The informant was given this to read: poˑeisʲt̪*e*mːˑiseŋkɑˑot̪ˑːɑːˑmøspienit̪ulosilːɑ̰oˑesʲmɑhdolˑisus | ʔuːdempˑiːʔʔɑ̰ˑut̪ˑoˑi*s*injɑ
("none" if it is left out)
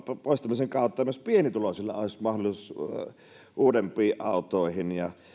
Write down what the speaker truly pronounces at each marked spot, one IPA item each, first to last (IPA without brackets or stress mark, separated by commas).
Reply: æ, h